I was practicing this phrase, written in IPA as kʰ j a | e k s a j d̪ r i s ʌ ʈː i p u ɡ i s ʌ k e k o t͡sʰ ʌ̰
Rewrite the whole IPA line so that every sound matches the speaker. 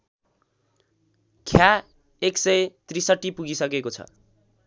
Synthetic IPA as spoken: kʰ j a | e k s ʌ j t̪ r i s ʌ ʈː i p u ɡ i s ʌ k e k o t͡sʰ ʌ̰